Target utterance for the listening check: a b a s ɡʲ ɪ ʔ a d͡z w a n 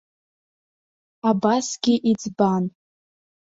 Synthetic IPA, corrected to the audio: a b a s ɡʲ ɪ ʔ i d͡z b a n